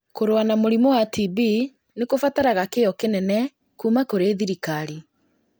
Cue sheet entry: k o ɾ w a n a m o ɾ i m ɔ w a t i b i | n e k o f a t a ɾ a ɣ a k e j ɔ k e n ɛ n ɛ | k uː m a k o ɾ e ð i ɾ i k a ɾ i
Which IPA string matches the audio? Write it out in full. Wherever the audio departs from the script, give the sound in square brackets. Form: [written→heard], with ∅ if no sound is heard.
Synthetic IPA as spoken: k o ɾ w a n a m o ɾ i m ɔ w a t i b i | n e k o f a t a ɾ a ɣ a k e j ɔ k e n ɛ n ɛ | k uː m a k o ɾ e ð i ɾ i k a ɾ i